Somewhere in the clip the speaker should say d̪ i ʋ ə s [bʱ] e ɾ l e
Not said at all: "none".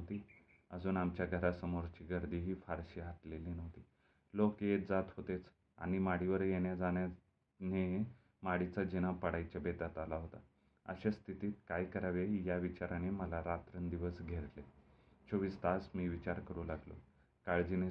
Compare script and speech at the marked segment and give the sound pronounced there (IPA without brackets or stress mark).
ɡʱ